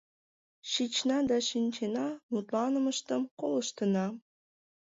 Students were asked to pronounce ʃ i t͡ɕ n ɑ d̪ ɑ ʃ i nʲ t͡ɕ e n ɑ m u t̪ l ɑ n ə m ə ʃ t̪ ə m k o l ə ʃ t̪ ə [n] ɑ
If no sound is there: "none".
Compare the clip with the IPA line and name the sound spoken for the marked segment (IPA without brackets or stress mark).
n